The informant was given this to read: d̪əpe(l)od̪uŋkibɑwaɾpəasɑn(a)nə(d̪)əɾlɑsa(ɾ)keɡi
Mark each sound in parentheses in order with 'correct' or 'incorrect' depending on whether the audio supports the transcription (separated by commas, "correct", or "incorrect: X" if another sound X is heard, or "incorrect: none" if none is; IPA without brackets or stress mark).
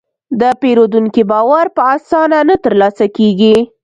incorrect: ɾ, correct, incorrect: t̪, incorrect: none